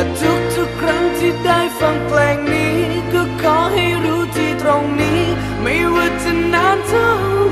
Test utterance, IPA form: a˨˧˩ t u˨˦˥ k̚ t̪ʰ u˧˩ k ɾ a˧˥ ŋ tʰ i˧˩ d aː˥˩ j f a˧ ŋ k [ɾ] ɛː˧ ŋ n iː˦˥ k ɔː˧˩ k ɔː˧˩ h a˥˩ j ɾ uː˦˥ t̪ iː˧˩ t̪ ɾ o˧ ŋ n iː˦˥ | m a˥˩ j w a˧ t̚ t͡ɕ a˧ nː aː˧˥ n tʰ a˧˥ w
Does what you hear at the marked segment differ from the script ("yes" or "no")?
yes